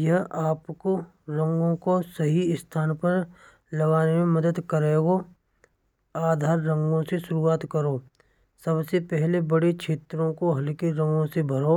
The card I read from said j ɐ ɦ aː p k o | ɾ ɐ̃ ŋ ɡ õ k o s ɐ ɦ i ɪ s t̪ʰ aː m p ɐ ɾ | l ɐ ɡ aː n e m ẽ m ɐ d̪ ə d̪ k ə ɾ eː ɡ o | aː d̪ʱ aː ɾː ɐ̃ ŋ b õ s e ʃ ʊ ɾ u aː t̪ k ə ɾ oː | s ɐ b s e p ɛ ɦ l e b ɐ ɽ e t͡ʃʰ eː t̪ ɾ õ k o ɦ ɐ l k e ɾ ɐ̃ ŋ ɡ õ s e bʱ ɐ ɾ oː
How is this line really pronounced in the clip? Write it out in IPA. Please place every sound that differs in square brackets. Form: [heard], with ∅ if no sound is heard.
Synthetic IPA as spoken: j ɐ ɦ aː p k o | ɾ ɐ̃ ŋ ɡ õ k o s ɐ ɦ i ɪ s t̪ʰ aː [n] p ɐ ɾ | l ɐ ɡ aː n e m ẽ m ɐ d̪ ə d̪ k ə ɾ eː ɡ o | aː d̪ʱ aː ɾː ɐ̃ ŋ [ɡ] õ s e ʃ ʊ ɾ u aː t̪ k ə ɾ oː | s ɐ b s e p ɛ ɦ l e b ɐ ɽ e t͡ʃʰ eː t̪ ɾ õ k o ɦ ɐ l k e ɾ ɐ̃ ŋ ɡ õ s e bʱ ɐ ɾ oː